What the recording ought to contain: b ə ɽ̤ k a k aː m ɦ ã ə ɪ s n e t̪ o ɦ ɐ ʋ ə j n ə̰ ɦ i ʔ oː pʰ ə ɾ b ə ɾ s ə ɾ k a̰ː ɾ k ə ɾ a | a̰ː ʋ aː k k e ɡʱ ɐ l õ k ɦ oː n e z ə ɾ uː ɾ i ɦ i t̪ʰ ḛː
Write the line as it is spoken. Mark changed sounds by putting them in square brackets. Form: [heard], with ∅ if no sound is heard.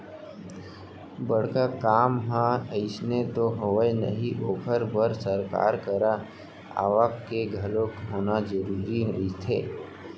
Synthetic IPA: b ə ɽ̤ k a k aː m ɦ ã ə ɪ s n e t̪ o ɦ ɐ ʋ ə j n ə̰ ɦ i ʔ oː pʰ ə ɾ b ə ɾ s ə ɾ k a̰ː ɾ k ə ɾ a | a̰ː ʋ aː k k e ɡʱ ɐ l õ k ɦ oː n [a] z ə ɾ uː ɾ i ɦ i t̪ʰ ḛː